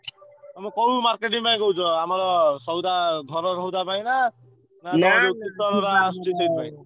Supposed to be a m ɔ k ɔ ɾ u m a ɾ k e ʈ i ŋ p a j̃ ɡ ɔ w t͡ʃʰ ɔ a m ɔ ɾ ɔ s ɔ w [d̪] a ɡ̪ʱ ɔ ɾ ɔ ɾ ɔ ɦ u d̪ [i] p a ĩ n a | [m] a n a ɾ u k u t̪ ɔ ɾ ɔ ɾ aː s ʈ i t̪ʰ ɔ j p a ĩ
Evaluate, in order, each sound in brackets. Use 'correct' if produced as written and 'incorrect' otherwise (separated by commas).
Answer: correct, incorrect, incorrect